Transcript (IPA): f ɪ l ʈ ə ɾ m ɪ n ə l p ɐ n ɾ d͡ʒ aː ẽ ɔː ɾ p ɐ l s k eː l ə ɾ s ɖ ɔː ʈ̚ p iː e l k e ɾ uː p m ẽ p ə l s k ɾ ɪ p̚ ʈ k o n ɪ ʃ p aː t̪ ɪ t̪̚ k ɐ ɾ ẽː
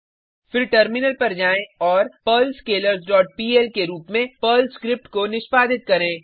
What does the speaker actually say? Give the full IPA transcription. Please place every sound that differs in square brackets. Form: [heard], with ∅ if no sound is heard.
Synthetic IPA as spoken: f ɪ [ɾ] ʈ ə ɾ m ɪ n ə l p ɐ [∅] ɾ d͡ʒ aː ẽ ɔː ɾ p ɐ l s k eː l ə ɾ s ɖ ɔː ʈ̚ p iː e l k e ɾ uː p m ẽ p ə l s k ɾ ɪ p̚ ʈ k o n ɪ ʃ p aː [d̪] ɪ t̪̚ k ɐ ɾ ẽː